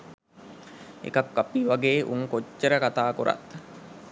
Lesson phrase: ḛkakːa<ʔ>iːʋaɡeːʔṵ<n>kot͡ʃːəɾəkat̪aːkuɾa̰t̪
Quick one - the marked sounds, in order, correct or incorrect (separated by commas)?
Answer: incorrect, incorrect